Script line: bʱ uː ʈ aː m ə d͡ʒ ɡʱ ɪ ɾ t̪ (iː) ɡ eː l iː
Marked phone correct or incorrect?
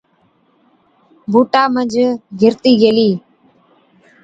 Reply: correct